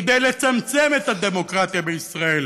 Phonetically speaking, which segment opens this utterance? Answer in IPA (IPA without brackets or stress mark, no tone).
d̪